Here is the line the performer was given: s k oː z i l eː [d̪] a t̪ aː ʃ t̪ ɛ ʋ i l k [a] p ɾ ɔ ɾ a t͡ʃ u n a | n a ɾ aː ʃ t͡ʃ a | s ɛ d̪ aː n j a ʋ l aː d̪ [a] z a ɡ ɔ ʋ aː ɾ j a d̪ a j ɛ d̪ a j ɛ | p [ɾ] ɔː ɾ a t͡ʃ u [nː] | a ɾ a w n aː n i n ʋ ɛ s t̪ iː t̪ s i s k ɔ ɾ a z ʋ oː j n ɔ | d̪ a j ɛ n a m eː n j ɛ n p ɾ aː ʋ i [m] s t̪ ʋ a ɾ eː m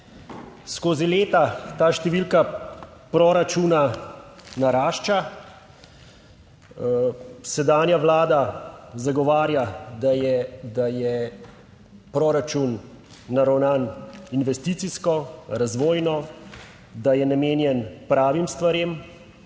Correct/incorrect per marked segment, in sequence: incorrect: t̪, correct, correct, correct, correct, correct

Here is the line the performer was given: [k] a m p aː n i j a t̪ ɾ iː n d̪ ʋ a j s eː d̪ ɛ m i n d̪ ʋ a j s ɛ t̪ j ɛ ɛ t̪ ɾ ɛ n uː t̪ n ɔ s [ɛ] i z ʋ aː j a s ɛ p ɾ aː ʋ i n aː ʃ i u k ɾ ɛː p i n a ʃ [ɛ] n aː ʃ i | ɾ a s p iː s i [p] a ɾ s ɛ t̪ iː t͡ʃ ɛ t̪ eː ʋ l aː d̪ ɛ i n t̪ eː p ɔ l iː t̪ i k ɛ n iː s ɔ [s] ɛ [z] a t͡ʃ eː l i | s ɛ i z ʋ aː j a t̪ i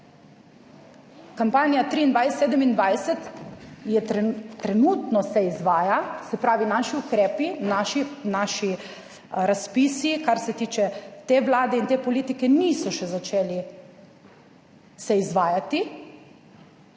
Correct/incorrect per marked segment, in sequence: correct, correct, incorrect: i, incorrect: k, incorrect: ʃ, correct

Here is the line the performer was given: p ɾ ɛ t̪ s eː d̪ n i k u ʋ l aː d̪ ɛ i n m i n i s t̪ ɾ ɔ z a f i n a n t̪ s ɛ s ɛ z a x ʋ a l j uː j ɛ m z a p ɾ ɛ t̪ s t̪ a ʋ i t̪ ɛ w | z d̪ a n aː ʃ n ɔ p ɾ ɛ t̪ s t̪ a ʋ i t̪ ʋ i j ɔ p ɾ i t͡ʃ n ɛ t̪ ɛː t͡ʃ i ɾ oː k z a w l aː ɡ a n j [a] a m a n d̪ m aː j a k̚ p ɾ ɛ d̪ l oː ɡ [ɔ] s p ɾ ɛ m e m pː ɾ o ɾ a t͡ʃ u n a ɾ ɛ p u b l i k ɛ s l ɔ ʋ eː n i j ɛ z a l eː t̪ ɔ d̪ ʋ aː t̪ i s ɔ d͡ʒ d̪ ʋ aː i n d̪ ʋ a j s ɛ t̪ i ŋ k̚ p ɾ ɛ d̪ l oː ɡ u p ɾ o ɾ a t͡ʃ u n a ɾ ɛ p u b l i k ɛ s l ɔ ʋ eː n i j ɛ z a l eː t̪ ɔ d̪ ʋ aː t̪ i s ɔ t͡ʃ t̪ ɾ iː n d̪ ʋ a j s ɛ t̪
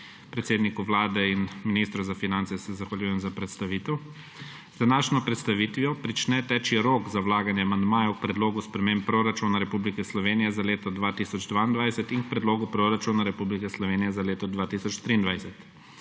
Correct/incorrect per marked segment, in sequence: incorrect: ɛ, incorrect: u

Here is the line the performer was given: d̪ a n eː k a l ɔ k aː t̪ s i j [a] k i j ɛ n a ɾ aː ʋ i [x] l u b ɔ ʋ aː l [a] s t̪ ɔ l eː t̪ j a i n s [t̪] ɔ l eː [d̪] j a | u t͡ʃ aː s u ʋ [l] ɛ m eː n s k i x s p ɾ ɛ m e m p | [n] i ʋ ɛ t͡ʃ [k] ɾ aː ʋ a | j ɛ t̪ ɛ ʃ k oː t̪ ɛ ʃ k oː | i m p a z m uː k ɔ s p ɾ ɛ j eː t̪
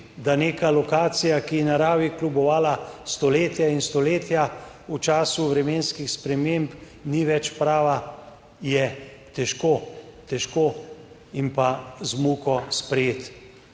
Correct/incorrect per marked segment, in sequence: correct, incorrect: k, correct, correct, incorrect: t̪, incorrect: ɾ, correct, incorrect: p

